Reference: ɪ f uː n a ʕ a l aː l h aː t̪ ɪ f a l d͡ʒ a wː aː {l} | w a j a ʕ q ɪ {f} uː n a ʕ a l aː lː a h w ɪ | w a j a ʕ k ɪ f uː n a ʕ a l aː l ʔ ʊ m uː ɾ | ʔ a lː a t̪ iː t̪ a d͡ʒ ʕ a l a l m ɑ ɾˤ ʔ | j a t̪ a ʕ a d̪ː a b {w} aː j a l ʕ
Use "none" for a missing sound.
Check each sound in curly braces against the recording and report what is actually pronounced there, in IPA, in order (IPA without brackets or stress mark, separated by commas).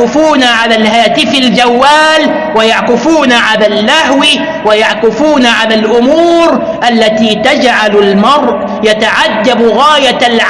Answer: l, f, ɣ